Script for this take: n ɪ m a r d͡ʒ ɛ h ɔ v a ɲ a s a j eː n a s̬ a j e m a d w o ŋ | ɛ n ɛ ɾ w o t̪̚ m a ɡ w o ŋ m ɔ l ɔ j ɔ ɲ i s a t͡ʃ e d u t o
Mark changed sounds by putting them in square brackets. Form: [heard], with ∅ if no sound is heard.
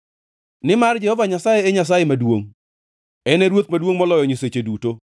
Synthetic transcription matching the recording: n ɪ m a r d͡ʒ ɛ h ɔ v a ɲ a s a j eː [ɲ] a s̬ a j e m a d w o ŋ | ɛ n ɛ ɾ w o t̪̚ m a [d] w o ŋ m ɔ l ɔ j ɔ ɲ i s [e] t͡ʃ e d u t o